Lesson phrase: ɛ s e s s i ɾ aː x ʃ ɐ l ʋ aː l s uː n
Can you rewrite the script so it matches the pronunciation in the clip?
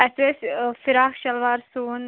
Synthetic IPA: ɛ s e s f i ɾ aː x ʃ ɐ l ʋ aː ɾ s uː n